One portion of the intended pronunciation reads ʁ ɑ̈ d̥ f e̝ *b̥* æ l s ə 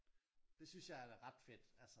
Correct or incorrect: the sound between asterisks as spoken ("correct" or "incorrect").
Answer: incorrect